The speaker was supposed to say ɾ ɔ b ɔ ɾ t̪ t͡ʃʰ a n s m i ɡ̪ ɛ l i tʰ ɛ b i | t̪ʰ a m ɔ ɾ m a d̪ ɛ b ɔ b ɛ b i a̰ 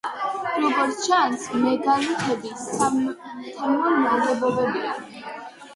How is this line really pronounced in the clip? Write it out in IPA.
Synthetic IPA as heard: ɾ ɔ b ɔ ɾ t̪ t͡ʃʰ a n s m ɛ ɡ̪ a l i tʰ ɛ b i | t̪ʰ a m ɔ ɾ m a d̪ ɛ b ɔ b ɛ b i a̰